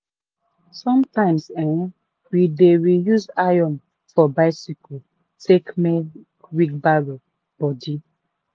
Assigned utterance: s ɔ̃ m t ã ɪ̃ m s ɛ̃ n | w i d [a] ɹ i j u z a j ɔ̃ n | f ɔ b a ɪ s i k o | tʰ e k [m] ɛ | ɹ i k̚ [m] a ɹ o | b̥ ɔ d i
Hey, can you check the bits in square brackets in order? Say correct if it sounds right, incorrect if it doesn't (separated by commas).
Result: incorrect, correct, incorrect